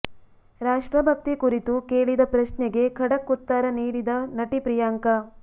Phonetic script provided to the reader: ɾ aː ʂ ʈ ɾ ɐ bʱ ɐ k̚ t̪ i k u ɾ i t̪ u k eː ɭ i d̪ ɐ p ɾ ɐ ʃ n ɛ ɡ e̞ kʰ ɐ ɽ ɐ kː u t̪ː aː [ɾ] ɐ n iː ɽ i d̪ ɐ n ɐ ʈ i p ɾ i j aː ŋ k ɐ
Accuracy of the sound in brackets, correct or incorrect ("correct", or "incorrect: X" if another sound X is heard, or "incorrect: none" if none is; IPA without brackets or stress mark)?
correct